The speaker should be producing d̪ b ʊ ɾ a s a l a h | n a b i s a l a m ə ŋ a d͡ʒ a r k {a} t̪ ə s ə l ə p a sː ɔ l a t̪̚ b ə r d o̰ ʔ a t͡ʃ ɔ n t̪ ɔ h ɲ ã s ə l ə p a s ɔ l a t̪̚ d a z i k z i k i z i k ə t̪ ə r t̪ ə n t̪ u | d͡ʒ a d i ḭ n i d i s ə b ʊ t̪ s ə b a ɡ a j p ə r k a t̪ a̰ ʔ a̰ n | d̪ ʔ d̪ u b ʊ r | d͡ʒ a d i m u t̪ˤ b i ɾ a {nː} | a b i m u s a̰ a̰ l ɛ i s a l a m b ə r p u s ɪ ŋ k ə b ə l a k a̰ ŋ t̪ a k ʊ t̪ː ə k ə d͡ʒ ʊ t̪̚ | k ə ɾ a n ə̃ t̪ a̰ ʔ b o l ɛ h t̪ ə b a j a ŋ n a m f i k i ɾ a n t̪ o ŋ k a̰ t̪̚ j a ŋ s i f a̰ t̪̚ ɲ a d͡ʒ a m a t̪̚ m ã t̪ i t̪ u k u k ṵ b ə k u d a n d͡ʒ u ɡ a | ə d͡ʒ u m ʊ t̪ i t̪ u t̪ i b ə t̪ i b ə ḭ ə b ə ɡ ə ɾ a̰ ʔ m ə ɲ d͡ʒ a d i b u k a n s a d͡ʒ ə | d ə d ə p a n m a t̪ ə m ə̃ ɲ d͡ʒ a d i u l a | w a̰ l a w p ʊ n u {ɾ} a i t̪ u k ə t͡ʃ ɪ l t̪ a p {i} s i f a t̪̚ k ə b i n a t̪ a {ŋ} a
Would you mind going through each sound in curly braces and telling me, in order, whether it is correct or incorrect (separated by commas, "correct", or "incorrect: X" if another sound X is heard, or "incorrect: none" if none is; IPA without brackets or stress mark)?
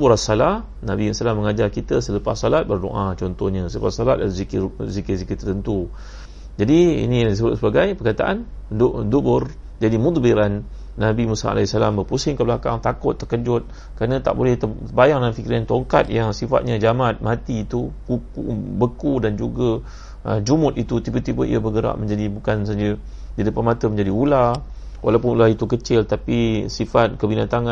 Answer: incorrect: i, correct, incorrect: l, correct, correct